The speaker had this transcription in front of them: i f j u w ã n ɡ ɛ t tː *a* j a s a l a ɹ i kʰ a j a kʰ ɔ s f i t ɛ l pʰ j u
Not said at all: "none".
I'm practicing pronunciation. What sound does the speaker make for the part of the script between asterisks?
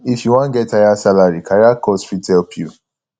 a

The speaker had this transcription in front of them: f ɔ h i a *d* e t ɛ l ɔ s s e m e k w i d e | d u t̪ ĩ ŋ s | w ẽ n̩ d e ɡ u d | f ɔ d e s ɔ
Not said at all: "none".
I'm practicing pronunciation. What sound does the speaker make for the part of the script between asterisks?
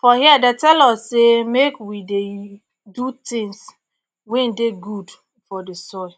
d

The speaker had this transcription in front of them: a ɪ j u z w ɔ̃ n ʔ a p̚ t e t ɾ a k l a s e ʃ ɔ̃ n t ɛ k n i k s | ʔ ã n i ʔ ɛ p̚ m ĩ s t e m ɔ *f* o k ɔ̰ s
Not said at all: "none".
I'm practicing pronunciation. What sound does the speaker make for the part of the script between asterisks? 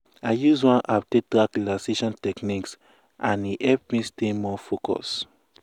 f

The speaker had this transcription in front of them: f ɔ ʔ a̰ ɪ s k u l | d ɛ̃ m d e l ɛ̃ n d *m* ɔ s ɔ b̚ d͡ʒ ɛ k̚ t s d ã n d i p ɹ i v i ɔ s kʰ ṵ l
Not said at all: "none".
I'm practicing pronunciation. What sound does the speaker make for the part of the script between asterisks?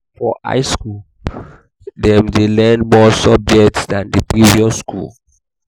m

